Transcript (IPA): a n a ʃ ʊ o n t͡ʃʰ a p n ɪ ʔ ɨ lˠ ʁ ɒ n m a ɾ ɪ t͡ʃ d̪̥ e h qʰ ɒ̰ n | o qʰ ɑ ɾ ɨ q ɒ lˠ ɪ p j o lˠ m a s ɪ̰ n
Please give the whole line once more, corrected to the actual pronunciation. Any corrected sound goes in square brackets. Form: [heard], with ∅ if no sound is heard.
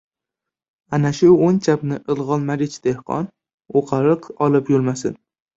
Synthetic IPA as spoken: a n a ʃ ʊ o n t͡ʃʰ a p n ɪ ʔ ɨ lˠ ʁ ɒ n m a ɾ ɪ t͡ʃ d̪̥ e h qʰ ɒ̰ n | o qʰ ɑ ɾ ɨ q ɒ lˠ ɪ p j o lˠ m a s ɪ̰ n